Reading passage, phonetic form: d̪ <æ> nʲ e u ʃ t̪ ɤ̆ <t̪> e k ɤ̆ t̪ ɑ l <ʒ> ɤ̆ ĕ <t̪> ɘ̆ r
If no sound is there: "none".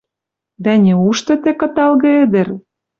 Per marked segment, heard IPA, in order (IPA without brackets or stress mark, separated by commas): æ, t̪, ɣ, d̪